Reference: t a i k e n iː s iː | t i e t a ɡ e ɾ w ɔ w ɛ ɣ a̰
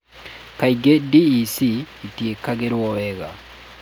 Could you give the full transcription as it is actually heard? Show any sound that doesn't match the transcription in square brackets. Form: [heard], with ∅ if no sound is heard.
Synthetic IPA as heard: [k] a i [ɡ] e [d] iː s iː | t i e [k] a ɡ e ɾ w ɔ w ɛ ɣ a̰